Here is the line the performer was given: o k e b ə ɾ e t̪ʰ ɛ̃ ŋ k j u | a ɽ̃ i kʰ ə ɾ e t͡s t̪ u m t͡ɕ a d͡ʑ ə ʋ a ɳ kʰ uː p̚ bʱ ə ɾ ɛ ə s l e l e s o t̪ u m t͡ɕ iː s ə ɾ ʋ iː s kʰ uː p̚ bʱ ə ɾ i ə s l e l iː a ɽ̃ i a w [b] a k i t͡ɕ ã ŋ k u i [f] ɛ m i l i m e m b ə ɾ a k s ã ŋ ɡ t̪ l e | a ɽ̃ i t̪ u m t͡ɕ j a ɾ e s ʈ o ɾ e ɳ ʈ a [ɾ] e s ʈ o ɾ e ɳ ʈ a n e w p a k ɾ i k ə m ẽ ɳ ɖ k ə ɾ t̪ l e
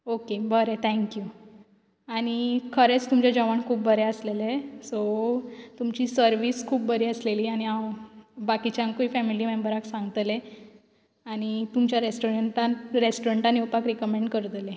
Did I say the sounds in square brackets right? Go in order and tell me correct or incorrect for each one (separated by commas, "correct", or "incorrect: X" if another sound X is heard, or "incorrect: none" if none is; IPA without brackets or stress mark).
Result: correct, correct, correct